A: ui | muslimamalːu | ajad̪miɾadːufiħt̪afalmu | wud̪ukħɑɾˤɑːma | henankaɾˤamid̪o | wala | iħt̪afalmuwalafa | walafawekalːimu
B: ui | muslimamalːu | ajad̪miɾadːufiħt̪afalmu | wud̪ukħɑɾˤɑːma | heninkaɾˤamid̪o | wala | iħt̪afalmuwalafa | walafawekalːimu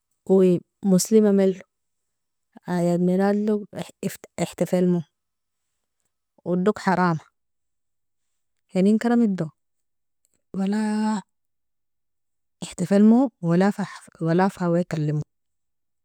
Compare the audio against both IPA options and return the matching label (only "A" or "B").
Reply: B